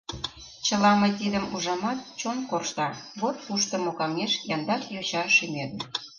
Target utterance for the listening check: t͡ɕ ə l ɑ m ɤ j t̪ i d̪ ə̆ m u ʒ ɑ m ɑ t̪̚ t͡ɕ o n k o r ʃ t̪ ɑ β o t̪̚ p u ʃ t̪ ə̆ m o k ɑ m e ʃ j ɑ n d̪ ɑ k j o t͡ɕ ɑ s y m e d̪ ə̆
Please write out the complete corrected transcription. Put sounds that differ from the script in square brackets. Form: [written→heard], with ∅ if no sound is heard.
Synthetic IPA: t͡ɕ ə l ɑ m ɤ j t̪ i d̪ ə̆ m u ʒ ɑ m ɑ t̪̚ t͡ɕ o n k o r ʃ t̪ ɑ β o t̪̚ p u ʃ t̪ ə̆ m o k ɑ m e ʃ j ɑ n d̪ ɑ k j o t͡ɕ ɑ [s→ʃ] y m e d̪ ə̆